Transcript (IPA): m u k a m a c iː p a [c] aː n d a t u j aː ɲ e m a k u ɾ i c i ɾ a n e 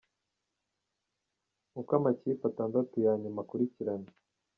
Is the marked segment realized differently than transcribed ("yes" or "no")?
yes